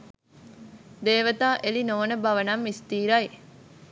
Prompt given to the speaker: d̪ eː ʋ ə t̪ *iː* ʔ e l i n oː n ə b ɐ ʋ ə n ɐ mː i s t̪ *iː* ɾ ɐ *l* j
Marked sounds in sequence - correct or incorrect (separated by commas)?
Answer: incorrect, correct, incorrect